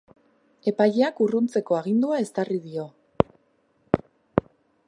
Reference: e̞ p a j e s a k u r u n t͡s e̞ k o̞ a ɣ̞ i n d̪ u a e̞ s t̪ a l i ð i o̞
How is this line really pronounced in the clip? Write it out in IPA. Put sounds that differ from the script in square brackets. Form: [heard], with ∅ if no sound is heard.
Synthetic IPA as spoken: e̞ p a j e [∅] a k u r u n t͡s e̞ k o̞ a ɣ̞ i n d̪ u a e̞ s t̪ a [r] i ð i o̞